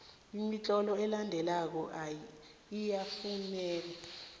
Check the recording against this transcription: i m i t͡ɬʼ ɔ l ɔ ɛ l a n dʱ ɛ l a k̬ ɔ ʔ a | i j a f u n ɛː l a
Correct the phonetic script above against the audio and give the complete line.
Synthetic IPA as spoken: i m i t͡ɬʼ ɔ l ɔ ɛ l a n dʱ ɛ l a k̬ ɔ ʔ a | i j a f u n ɛː l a